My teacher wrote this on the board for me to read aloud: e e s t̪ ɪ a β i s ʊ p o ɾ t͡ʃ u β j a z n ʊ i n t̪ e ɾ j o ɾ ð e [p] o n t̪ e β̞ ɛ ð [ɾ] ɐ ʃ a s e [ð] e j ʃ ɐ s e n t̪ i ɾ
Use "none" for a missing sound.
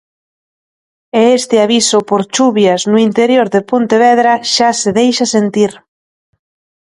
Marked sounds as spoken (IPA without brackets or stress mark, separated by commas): p, ɾ, ð